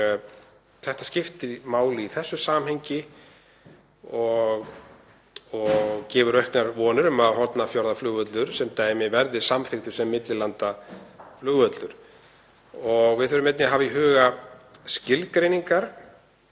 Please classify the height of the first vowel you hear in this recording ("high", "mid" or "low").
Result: mid